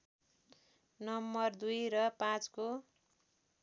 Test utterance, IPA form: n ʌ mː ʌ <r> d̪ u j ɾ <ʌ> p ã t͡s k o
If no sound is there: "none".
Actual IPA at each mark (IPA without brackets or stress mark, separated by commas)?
r, ʌ